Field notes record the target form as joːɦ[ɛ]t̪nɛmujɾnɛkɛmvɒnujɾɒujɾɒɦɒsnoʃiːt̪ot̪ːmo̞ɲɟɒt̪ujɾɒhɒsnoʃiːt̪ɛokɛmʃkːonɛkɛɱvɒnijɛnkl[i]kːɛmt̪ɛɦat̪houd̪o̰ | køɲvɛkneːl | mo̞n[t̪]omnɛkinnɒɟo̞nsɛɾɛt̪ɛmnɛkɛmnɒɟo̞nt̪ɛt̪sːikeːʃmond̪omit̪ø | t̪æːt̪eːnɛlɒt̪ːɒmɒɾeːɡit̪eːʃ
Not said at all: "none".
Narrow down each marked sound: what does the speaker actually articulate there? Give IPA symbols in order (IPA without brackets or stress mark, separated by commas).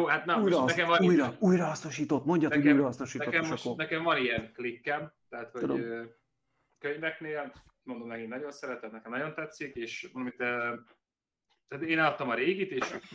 a, i, d̪